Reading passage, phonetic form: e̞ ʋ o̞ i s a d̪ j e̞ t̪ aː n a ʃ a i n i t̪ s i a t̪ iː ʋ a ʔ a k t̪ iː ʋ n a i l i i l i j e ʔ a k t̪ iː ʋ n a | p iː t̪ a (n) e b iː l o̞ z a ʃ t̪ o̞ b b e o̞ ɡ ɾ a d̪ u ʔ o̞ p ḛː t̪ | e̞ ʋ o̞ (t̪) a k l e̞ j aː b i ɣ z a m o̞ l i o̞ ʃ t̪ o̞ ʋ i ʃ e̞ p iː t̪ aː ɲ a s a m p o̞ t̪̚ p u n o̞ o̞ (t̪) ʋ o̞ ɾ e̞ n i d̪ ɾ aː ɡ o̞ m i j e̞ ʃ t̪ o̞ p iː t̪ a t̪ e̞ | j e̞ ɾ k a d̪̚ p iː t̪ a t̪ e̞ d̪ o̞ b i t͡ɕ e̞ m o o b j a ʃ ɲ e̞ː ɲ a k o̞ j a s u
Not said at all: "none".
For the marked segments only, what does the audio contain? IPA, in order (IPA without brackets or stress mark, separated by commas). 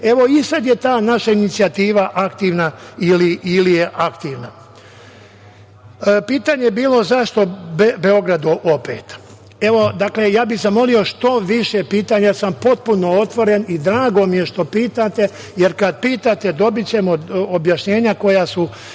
ɲ, d̪, t̪